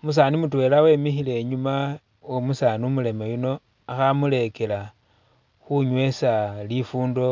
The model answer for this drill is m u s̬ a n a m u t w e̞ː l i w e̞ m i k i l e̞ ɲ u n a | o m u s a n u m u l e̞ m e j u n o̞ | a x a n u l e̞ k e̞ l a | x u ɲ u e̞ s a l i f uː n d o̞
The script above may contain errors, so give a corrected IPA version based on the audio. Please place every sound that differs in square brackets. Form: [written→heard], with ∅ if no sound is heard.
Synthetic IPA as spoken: m u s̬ a n [a→i] m u t w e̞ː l [i→a] w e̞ m i [k→x] i l e̞ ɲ u [n→m] a | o m u s a n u m u l e̞ m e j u n o̞ | a x a [n→m] u l e̞ k e̞ l a | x u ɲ [u→w] e̞ s a l i f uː n d o̞